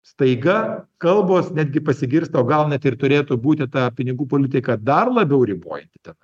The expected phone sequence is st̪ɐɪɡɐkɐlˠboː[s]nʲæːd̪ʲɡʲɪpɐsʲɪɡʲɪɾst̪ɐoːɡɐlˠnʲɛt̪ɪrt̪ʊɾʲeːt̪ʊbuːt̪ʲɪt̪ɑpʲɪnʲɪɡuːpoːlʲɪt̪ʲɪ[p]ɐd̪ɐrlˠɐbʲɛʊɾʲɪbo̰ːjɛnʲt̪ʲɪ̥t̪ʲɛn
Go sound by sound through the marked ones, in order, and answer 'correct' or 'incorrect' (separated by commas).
correct, incorrect